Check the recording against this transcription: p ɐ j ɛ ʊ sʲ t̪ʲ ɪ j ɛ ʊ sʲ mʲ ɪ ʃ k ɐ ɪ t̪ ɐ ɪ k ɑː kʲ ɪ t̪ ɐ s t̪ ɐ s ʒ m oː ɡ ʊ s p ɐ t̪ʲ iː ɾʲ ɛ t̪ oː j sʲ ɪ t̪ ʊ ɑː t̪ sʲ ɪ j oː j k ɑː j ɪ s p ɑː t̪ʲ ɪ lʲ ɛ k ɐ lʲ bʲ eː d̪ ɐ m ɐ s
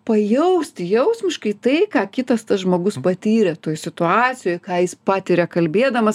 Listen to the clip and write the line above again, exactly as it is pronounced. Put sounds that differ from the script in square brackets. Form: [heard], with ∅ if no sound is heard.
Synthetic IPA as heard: p ɐ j ɛ ʊ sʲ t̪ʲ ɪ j ɛ ʊ sʲ mʲ ɪ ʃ k ɐ ɪ t̪ ɐ ɪ k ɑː kʲ ɪ t̪ ɐ s t̪ ɐ s ʒ m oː ɡ ʊ s p ɐ t̪ʲ iː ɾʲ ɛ t̪ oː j sʲ ɪ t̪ ʊ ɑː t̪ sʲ ɪ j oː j k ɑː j ɪ s p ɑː t̪ʲ ɪ [ɾʲ] ɛ k ɐ lʲ bʲ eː d̪ ɐ m ɐ s